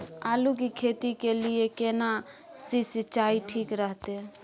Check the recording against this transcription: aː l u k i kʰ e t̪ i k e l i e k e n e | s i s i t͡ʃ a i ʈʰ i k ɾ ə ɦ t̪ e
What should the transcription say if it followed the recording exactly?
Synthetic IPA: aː l u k i kʰ e t̪ i k e l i e k e n a | s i s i t͡ʃ a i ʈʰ i k ɾ ə ɦ t̪ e